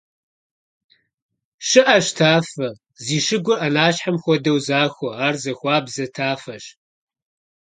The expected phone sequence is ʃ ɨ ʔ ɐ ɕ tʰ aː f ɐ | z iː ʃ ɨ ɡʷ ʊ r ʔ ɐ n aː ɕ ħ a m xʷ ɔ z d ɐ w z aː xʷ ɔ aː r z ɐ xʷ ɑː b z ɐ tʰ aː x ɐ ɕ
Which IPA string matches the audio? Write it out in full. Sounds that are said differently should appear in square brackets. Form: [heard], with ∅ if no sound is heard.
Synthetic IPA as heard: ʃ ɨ ʔ ɐ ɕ tʰ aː f ɐ | z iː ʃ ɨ ɡʷ ʊ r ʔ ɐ n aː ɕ ħ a m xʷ ɔ [∅] d ɐ w z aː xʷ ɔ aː r z ɐ xʷ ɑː b z ɐ tʰ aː [f] ɐ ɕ